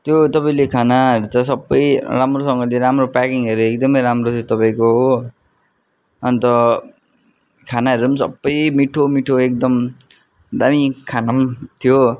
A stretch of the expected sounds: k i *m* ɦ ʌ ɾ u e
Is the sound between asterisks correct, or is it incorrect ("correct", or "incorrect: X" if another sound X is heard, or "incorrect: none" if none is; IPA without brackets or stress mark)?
incorrect: ŋ